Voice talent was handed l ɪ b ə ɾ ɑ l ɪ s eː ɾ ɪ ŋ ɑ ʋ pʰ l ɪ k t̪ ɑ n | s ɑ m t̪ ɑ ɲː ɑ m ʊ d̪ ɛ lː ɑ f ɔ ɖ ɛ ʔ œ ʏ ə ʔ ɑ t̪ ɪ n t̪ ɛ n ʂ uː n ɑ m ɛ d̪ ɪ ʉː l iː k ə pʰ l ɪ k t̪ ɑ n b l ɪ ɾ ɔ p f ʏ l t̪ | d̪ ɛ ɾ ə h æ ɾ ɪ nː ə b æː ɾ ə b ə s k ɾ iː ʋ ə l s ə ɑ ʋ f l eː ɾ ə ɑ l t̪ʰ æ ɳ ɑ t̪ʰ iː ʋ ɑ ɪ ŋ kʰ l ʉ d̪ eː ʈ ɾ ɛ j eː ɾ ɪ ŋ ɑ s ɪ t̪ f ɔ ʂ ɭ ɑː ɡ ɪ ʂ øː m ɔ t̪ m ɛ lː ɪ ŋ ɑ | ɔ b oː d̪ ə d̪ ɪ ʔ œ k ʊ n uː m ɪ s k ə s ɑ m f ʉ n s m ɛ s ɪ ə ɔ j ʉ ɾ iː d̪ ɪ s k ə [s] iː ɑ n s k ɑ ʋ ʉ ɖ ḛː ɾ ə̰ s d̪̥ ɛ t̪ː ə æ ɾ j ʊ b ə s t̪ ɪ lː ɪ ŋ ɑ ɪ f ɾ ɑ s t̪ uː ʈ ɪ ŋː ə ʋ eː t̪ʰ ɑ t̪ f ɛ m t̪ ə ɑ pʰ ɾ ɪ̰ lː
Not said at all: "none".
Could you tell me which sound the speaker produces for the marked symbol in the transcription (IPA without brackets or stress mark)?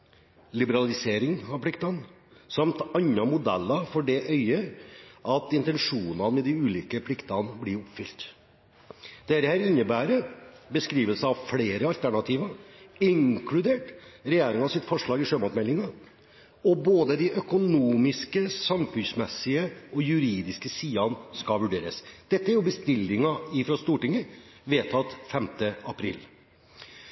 s